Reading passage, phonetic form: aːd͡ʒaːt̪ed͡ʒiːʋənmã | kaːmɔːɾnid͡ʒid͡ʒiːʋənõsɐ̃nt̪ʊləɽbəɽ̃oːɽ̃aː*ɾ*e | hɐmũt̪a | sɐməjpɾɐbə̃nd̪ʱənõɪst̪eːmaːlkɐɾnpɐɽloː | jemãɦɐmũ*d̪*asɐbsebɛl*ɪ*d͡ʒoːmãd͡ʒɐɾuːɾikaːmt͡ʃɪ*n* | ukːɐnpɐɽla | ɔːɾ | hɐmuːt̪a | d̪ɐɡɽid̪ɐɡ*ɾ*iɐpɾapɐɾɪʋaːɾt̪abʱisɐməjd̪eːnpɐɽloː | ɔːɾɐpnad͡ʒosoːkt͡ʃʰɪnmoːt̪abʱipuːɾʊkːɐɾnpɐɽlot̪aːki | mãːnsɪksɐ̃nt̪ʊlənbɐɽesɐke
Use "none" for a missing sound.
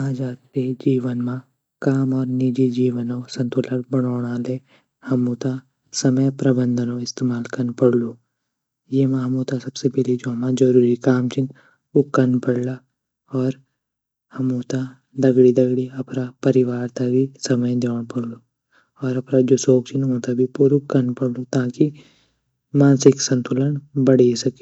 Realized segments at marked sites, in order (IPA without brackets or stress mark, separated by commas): l, t̪, i, n, ɽ